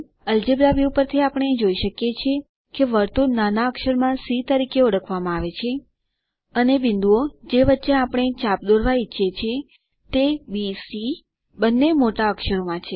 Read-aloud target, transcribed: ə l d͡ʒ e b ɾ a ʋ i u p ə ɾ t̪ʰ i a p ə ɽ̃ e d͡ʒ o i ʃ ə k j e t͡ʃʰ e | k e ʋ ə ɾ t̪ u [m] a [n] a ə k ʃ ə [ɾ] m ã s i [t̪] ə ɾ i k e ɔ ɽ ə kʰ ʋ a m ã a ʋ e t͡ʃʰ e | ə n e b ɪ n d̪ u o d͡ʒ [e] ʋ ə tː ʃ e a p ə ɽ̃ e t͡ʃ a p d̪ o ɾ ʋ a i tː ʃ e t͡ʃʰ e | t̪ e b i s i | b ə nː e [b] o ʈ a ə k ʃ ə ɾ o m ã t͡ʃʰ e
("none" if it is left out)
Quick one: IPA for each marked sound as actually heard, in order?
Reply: n, n, ɾ, t̪, e, m

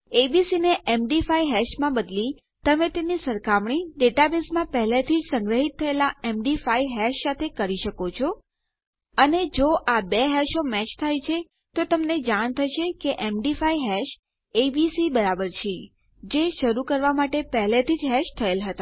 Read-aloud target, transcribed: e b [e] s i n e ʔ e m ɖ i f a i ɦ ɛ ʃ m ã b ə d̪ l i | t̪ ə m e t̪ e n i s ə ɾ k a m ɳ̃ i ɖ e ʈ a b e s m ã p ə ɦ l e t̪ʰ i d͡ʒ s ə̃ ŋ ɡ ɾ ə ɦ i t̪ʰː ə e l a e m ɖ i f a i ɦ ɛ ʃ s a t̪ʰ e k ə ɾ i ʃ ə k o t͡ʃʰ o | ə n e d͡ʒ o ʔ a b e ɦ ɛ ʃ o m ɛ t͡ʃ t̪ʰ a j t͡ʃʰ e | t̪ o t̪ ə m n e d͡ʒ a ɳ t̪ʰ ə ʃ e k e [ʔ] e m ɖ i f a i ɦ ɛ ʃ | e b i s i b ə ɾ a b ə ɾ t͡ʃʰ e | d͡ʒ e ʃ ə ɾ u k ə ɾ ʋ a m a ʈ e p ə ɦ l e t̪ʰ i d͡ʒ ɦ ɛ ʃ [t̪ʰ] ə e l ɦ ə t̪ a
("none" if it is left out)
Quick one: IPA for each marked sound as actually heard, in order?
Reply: i, ʔ, t̪ʰ

